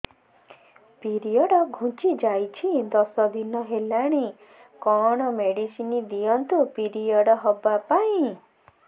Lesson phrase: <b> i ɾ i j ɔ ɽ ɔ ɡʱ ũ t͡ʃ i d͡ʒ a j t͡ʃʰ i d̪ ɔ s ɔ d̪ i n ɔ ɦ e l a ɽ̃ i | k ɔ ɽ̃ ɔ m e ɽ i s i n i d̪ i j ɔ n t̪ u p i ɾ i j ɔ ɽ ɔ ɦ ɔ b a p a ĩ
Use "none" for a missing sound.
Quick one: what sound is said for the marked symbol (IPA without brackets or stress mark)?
p